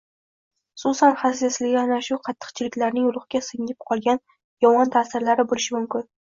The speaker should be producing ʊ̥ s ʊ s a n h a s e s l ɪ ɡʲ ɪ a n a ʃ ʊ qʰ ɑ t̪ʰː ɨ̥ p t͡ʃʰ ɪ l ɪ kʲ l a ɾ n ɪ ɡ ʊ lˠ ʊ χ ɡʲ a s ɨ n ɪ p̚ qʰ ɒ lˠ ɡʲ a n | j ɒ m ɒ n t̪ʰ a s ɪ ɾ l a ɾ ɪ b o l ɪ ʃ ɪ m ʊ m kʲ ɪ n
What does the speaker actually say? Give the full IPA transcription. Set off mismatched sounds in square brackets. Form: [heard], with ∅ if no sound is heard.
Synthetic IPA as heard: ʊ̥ s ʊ s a n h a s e s l ɪ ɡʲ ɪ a n a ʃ ʊ qʰ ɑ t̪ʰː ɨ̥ [q] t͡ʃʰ ɪ l ɪ kʲ l a ɾ n ɪ [ŋ] ʊ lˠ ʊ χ ɡʲ a s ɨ [ŋ] ɪ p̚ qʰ ɒ lˠ ɡʲ a n | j ɒ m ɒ n t̪ʰ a s ɪ ɾ l a ɾ ɪ b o l ɪ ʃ ɪ m ʊ m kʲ ɪ n